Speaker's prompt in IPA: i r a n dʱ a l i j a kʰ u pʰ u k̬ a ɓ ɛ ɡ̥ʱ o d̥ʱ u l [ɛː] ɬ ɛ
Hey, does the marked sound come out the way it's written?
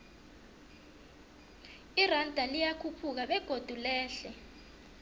yes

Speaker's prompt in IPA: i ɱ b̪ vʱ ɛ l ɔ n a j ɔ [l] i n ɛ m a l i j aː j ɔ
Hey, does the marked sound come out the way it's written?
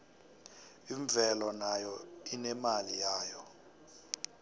no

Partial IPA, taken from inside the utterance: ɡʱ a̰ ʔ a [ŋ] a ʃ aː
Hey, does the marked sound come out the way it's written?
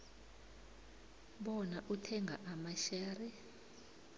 no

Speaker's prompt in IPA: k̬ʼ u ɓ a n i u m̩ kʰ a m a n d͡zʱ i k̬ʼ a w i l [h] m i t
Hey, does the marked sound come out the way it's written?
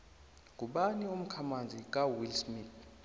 no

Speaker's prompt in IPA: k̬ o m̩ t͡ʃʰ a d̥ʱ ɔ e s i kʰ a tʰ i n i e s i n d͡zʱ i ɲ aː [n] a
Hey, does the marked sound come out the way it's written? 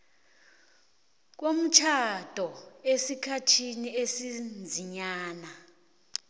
yes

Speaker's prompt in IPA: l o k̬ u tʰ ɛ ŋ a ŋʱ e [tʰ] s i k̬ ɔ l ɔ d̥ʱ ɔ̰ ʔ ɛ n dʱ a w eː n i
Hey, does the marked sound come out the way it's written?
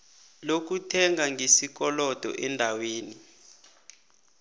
no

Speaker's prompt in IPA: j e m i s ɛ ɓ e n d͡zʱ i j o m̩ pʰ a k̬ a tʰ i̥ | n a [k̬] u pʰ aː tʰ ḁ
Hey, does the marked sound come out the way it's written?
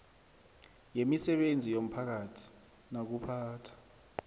yes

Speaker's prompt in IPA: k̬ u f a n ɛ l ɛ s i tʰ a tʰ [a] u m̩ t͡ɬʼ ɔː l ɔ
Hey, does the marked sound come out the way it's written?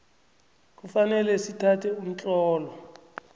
no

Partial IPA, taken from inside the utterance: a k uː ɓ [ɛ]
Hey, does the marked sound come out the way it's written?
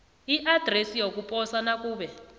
yes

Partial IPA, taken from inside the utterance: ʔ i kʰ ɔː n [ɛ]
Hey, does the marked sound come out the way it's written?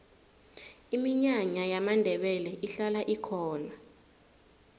no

